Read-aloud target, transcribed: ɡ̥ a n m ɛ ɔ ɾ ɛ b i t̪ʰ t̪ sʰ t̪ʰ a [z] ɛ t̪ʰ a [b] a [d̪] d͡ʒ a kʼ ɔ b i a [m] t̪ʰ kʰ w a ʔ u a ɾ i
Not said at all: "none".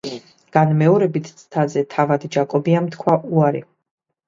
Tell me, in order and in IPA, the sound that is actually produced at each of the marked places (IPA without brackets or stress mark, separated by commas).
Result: z, v, d̪, m